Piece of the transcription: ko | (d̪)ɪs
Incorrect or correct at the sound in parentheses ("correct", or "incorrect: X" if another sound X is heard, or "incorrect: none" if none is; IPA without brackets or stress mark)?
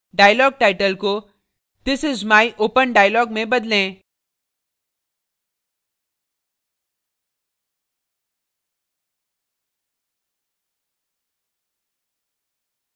correct